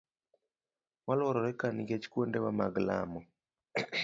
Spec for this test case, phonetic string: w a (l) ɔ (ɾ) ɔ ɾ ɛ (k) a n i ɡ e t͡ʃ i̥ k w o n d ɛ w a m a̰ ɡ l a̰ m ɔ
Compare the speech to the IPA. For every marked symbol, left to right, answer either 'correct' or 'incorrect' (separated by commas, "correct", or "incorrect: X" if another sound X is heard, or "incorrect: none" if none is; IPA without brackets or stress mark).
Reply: correct, correct, correct